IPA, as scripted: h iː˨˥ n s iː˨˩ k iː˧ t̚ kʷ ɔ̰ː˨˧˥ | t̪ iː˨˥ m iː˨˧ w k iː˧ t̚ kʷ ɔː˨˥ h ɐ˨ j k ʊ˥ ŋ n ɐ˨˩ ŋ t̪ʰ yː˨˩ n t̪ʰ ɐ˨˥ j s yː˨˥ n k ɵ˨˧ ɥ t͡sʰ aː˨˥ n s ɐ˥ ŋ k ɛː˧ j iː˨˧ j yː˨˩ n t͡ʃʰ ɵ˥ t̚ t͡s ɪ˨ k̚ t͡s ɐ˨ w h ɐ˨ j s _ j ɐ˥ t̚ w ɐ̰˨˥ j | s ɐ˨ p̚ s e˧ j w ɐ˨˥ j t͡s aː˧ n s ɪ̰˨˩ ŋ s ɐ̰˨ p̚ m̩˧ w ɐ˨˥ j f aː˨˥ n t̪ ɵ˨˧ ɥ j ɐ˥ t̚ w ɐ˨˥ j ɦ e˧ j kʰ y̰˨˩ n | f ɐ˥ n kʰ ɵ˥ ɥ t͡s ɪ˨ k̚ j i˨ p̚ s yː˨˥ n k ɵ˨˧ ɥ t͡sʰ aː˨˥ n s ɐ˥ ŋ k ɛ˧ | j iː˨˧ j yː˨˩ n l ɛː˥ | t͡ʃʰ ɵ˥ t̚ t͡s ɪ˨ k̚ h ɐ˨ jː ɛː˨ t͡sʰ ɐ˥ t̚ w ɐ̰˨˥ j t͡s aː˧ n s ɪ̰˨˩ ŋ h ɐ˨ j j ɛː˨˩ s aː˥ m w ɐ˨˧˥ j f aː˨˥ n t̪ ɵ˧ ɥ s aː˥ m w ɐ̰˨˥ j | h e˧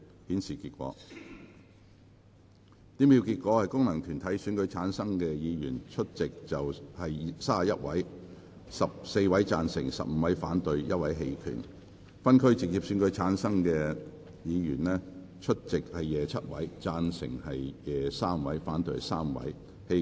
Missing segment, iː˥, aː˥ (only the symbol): aː˥